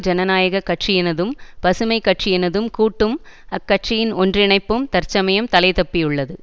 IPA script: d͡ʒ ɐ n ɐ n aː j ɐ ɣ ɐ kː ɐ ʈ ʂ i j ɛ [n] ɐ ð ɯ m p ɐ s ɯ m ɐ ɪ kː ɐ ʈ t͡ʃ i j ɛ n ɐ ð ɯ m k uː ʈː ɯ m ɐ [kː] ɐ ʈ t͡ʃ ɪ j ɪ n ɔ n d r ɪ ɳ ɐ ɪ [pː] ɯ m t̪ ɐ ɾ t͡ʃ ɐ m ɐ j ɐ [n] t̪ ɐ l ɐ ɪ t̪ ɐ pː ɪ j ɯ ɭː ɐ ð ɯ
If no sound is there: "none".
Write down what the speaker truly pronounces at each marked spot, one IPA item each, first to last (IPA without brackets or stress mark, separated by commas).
n, kː, pː, m